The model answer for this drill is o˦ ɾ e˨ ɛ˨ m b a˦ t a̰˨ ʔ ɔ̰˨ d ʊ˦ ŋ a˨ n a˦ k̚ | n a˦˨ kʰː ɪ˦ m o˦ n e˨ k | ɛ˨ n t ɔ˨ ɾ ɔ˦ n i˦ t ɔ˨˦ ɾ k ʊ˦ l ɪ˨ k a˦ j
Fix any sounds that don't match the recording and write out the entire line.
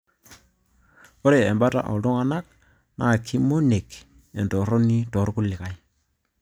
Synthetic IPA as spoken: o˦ ɾ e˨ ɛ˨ m b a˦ t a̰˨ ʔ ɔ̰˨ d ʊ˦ ŋ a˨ n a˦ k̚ | n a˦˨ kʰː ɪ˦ m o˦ n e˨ k | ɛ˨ n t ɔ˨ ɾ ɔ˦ n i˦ t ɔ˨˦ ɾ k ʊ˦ l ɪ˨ k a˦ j